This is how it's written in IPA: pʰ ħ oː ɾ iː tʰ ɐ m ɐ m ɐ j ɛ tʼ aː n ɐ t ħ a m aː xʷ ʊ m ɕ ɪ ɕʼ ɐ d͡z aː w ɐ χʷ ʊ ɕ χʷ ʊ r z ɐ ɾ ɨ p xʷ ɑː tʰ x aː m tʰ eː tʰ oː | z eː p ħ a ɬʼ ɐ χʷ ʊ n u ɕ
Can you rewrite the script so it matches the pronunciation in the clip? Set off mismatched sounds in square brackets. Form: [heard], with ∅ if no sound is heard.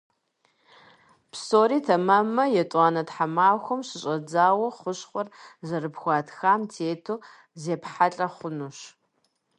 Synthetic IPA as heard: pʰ [s] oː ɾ iː tʰ ɐ m ɐ m ɐ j ɛ tʼ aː n ɐ t ħ a m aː xʷ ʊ m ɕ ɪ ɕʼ ɐ d͡z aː w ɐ χʷ ʊ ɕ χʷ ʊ r z ɐ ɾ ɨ p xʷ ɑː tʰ x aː m tʰ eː tʰ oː | z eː p ħ a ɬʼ ɐ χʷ ʊ n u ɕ